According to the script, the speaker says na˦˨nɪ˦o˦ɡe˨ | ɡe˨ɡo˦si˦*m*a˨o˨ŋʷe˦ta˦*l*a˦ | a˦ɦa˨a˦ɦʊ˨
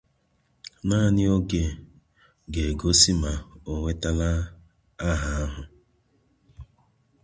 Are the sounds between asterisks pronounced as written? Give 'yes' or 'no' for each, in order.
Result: yes, yes

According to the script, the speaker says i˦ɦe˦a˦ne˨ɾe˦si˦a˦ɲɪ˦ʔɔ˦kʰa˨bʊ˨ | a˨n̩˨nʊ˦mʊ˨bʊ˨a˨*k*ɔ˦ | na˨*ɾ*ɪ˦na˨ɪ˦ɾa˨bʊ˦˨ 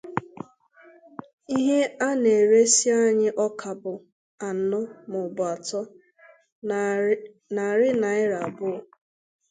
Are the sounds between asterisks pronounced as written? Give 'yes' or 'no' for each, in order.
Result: no, yes

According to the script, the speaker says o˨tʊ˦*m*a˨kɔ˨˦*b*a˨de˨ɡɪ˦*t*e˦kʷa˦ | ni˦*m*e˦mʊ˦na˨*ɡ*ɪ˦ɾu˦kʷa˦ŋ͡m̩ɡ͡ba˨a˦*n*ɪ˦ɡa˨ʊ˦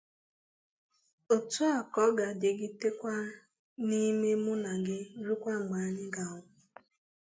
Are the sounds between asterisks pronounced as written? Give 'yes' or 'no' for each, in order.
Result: no, no, yes, yes, yes, no

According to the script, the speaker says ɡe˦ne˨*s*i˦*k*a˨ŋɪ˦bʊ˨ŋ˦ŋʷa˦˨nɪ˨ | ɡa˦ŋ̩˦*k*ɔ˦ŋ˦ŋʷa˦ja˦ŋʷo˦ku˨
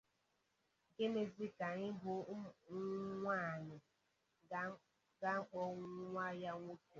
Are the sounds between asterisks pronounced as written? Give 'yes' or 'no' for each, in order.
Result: no, yes, no

